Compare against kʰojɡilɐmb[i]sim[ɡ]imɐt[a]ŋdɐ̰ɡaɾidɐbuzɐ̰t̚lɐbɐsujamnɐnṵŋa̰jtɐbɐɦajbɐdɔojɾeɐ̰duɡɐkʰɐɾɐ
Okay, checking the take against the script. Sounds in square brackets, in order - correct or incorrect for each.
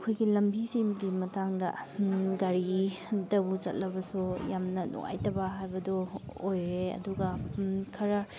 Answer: correct, correct, correct

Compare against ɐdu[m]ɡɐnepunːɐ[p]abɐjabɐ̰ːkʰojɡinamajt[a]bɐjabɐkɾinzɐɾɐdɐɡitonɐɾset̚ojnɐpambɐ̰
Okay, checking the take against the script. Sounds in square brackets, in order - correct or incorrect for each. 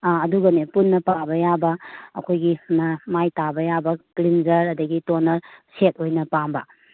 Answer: incorrect: none, correct, correct

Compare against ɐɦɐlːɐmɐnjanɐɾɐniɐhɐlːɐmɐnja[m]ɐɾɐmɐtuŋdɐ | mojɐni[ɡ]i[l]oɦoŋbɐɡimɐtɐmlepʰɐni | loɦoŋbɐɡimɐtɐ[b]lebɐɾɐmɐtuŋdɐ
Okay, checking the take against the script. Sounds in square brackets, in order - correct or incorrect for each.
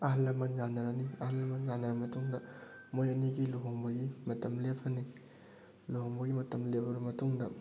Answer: incorrect: n, correct, correct, incorrect: m

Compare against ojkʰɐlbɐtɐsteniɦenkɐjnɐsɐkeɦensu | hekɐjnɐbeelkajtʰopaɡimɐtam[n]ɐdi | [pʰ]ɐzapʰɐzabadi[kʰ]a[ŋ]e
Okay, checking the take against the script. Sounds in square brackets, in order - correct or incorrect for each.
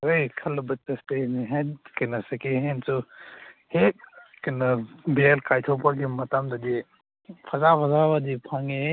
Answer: incorrect: d, correct, incorrect: pʰ, correct

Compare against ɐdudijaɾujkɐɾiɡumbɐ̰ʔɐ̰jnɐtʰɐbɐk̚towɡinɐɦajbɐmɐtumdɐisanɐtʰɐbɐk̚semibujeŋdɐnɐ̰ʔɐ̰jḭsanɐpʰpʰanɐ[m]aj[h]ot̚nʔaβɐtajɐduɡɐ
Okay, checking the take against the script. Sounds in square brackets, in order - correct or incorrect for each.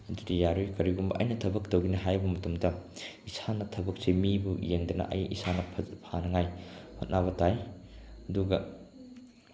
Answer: incorrect: ŋ, correct

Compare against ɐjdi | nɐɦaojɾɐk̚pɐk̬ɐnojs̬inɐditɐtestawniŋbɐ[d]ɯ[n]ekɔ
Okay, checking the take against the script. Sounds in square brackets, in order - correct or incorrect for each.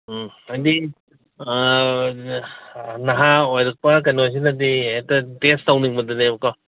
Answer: correct, correct

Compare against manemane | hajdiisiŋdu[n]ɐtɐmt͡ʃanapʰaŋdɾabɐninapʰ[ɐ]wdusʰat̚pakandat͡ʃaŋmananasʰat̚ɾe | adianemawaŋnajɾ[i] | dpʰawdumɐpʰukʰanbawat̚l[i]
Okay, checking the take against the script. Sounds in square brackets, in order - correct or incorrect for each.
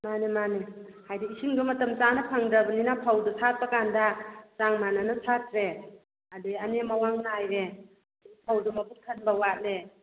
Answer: incorrect: m, incorrect: a, incorrect: e, incorrect: e

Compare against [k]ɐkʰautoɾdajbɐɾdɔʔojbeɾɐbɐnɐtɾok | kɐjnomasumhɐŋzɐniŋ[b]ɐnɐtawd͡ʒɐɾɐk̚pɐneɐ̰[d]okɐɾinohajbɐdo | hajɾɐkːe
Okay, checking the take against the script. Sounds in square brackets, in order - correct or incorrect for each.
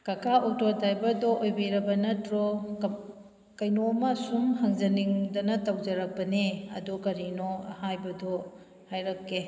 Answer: correct, incorrect: d, correct

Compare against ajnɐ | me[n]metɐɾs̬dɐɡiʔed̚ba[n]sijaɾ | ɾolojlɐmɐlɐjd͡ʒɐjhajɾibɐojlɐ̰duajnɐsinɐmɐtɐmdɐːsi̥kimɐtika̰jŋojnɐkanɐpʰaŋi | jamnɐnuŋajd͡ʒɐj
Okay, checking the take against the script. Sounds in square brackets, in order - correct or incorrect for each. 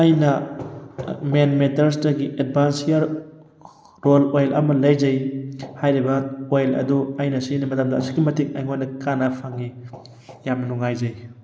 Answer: correct, correct

